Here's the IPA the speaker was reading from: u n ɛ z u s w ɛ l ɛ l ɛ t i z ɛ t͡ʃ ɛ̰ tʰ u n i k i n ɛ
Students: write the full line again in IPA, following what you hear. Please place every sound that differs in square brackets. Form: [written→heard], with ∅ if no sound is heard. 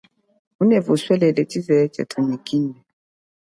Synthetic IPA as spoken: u n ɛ [z→v] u s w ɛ l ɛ l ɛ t i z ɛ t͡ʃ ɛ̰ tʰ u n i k i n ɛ